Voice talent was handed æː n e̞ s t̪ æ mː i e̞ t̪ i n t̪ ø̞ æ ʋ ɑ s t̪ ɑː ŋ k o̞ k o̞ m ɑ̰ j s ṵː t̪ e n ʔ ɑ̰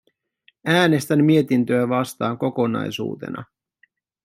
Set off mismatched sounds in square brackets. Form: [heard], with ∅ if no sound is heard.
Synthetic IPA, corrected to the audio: æː n e̞ s t̪ æ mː i e̞ t̪ i n t̪ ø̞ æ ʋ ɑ s t̪ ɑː ŋ k o̞ k o̞ [n] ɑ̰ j s ṵː t̪ e n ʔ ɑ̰

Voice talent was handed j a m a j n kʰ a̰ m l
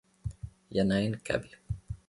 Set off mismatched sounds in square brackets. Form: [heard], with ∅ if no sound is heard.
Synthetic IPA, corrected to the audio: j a [n] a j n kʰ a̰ [b] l

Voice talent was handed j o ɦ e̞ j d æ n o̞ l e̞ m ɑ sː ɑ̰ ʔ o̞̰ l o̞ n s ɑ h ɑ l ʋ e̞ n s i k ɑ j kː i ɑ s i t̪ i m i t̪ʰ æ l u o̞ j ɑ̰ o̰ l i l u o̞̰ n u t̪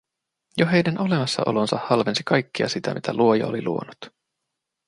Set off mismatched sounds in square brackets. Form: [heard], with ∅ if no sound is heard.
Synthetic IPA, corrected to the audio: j o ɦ e̞ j d æ n o̞ l e̞ m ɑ sː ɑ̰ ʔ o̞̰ l o̞ n s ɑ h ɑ l ʋ e̞ n s i k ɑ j kː i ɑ s i t̪ [æ] m i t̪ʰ æ l u o̞ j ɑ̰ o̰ l i l u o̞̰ n u t̪

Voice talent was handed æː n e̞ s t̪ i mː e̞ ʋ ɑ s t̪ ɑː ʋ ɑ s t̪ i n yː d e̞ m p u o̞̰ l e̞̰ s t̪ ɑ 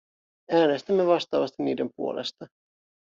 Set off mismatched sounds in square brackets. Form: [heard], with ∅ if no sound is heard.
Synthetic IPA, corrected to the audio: æː n e̞ s t̪ [æ] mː e̞ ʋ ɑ s t̪ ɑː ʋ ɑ s t̪ i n [iː] d e̞ m p u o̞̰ l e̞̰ s t̪ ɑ

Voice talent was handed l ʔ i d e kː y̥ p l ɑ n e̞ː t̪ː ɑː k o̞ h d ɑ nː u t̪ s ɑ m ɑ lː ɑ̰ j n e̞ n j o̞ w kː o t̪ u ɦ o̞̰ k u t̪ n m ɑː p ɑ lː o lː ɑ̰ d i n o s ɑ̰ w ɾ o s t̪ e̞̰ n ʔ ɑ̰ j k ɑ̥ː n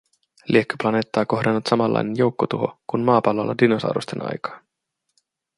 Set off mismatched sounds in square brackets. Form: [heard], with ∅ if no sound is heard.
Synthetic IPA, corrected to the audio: l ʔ i [∅] e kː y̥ p l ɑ n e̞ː t̪ː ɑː k o̞ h d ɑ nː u t̪ s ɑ m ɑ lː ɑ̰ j n e̞ n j o̞ w kː o t̪ u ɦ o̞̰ k u [∅] n m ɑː p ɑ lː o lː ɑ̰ d i n o s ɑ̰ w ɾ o s t̪ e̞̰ n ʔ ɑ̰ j k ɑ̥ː n

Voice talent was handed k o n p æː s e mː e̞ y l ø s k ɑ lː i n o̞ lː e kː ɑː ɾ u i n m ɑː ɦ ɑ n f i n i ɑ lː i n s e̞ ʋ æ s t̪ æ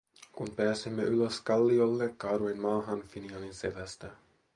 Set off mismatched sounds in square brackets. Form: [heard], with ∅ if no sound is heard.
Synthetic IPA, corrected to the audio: k [u] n p æː s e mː e̞ y l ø s k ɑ lː i [∅] o̞ lː e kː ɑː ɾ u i n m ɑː ɦ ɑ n f i n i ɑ [l] i n s e̞ ʋ æ s t̪ æ

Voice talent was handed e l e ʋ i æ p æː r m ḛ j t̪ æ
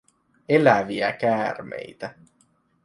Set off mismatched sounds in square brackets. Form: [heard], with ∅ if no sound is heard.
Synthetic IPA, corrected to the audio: e l [æ] ʋ i æ [k] æː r m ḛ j t̪ æ

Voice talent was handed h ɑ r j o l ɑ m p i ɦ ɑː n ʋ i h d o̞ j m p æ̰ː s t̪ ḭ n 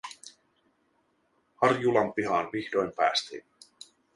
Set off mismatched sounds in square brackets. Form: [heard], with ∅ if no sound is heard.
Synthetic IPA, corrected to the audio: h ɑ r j [u] l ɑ m p i ɦ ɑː n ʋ i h d o̞ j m p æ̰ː s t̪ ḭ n

